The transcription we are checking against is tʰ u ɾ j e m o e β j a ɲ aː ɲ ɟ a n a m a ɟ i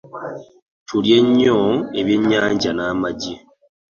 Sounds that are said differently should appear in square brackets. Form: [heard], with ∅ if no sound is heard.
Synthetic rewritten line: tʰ u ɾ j e [ɲ] o e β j [e] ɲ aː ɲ ɟ a n a m a ɟ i

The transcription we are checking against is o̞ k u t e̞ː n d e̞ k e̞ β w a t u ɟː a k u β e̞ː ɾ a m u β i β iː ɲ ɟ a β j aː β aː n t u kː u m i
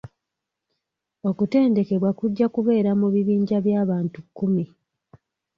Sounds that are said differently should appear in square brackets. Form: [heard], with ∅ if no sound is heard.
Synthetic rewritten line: o̞ k u t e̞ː n d e̞ k e̞ β w a [k] u ɟː a k u β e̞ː ɾ a m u β i β iː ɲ ɟ a β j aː β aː n t u kː u m i

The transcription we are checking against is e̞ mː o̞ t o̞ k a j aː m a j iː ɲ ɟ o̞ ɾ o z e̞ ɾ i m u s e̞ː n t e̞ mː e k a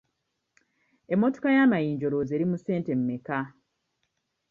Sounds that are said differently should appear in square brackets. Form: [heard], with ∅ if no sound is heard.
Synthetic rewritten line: e̞ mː o̞ t o̞ k a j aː m a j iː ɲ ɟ o̞ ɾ o z e̞ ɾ i m u s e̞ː n t e̞ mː e k a

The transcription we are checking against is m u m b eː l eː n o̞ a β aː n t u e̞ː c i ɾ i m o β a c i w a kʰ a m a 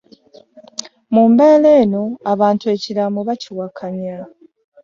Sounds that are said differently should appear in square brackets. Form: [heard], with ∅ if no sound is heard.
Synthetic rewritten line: m u m b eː l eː n o̞ a β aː n t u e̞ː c i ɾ [a] m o β a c i w a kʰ a [ɲ] a

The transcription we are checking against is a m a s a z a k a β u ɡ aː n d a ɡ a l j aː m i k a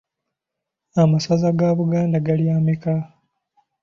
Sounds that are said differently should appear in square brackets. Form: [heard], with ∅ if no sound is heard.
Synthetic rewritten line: a m a s a z a [ɡ] a β u ɡ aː n d a ɡ a l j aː m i k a

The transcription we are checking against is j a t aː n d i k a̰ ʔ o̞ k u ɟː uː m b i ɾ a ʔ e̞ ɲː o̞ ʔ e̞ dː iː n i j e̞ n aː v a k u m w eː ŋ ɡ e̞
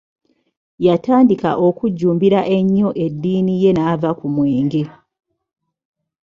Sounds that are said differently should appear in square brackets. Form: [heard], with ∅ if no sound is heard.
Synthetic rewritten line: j a t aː n d i k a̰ ʔ o̞ k u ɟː uː m b i ɾ a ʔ e̞ ɲː o̞ ʔ e̞ dː iː n i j e̞ n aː v a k u m w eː ŋ ɡ e̞

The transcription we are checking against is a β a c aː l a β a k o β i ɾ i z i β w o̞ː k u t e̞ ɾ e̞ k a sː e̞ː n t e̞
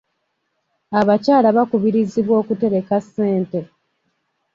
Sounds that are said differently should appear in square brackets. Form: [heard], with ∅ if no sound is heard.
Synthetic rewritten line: a β a c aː l a β a k [u] β i ɾ i z i β w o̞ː k u t e̞ ɾ e̞ k a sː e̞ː n t e̞

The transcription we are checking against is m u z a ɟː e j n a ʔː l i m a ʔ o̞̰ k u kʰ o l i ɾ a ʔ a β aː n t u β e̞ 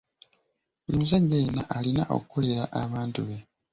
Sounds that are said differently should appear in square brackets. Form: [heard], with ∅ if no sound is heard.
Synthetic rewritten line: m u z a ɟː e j n a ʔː l i [n] a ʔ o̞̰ k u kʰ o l [e] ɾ a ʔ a β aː n t u β e̞

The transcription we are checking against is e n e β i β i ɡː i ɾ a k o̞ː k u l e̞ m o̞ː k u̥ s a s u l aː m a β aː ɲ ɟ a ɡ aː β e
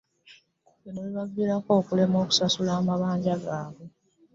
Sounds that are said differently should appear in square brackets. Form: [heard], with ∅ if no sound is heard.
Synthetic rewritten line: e n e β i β [a] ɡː i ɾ a k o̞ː k u l e̞ m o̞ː k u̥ s a s u l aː m a β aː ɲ ɟ a ɡ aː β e

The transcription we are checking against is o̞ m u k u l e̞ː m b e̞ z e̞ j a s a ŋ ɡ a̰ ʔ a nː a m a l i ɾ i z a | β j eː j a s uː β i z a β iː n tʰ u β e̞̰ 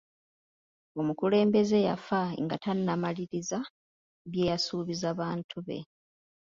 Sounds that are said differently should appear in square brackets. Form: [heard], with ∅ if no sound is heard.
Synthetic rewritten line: o̞ m u k u l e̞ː m b e̞ z e̞ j a [f] a ŋ ɡ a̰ [t] a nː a m a l i ɾ i z a | β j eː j a s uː β i z a β [aː] n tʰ u β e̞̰

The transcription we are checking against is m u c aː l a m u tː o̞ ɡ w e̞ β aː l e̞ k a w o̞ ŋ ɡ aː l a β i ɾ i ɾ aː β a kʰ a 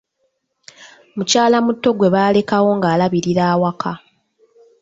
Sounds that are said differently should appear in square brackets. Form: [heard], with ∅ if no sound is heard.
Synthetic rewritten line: m u c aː l a m u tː o̞ ɡ w e̞ β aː l e̞ k a w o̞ ŋ ɡ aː l a β i ɾ i ɾ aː [w] a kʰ a

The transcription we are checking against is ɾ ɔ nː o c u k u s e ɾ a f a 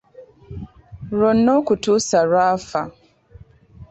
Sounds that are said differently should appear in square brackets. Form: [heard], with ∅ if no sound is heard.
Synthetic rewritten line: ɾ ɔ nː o [k] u [t] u s [a] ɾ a f a

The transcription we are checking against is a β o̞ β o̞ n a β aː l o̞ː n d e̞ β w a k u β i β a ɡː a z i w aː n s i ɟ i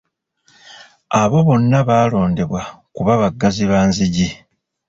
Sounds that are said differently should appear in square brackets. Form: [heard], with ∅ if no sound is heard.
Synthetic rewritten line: a β o̞ β o̞ [nː] a β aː l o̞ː n d e̞ β w a k u β [a] β a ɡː a z i [β] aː n [z] i ɟ i

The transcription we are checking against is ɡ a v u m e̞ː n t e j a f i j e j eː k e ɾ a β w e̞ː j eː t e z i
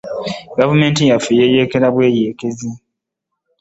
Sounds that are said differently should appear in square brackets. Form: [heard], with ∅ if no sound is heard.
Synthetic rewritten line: ɡ a v u m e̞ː n t [i] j a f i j e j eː k e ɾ a β w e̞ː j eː [k] e z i

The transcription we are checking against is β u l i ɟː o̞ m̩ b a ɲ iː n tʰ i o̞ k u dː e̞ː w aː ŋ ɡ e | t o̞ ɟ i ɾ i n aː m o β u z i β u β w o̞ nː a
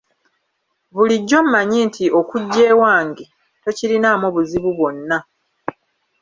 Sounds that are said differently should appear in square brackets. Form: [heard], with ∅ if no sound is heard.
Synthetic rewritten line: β u l i ɟː o̞ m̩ [m] a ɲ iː n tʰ i o̞ k u [ɟː] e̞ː w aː ŋ ɡ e | t o̞ [c] i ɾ i n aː m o β u z i β u β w o̞ nː a

